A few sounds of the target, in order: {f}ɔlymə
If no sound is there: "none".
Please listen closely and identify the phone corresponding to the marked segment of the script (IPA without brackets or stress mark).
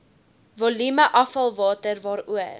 v